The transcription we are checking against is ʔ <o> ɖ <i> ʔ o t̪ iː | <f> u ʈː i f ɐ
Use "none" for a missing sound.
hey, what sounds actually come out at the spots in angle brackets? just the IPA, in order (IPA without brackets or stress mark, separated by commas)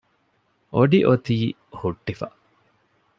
o, i, h